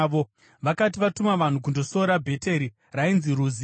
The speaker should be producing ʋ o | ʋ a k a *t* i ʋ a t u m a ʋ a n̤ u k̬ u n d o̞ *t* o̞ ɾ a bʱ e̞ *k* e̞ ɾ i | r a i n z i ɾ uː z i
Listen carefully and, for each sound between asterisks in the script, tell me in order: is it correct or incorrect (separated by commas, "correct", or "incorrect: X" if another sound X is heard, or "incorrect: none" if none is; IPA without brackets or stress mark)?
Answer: correct, incorrect: s, incorrect: t